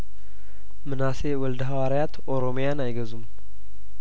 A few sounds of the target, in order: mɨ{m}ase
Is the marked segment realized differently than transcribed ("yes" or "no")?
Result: yes